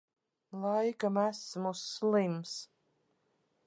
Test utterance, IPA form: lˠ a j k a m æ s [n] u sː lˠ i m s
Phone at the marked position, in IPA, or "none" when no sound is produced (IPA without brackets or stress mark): m